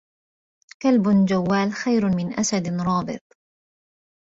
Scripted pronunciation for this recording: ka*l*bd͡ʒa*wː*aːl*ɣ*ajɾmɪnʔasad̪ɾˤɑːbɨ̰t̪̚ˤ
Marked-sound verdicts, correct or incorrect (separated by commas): correct, correct, incorrect